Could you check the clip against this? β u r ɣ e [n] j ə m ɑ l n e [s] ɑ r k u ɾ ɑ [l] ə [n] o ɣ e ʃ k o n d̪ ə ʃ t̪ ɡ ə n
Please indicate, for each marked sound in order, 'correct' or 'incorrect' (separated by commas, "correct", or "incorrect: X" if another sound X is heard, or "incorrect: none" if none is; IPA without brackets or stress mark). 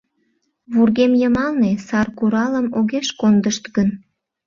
incorrect: m, correct, correct, incorrect: m